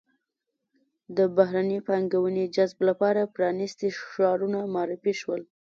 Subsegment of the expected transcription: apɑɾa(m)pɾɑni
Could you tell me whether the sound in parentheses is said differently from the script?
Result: yes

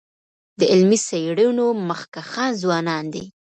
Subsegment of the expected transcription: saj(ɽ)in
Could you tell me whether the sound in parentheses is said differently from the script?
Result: no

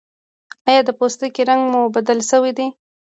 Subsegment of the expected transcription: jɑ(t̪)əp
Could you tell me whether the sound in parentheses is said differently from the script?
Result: yes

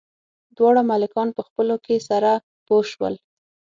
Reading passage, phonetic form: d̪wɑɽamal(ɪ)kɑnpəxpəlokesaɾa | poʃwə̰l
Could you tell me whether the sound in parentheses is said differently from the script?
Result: no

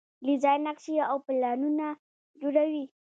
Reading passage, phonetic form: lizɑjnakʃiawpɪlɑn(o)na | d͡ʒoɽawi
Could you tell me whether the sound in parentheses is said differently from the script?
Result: yes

